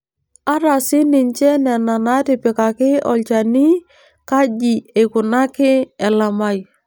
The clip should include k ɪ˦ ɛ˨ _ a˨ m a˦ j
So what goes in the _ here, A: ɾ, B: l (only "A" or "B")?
B